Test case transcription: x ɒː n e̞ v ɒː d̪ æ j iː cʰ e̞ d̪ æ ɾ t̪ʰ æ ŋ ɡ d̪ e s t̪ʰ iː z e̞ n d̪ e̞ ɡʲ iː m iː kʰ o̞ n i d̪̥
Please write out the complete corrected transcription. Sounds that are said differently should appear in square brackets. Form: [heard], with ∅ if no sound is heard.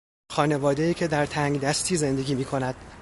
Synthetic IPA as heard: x ɒː n e̞ v ɒː d̪ [e] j iː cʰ e̞ d̪ æ ɾ t̪ʰ æ ŋ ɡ d̪ [æ] s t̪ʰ iː z e̞ n d̪ e̞ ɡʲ iː m iː kʰ o̞ n [æ] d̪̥